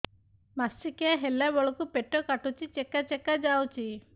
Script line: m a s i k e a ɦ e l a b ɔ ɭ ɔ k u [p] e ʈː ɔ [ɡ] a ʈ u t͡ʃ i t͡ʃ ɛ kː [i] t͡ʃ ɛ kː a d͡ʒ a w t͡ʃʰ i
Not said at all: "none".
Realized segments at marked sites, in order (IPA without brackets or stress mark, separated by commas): p, k, a